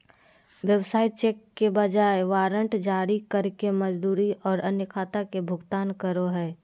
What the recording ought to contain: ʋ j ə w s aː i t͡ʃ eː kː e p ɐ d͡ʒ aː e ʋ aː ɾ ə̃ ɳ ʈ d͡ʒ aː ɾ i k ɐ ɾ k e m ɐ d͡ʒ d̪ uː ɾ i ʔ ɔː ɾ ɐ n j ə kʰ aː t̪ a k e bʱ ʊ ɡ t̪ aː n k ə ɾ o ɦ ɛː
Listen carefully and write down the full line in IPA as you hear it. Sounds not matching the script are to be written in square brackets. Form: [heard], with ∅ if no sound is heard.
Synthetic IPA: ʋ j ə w s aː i t͡ʃ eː kː e [b] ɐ d͡ʒ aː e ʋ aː ɾ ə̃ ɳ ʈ d͡ʒ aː ɾ i k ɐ ɾ k e m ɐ d͡ʒ d̪ uː ɾ i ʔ ɔː ɾ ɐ n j ə kʰ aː t̪ a k e bʱ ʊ ɡ t̪ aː n k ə ɾ o ɦ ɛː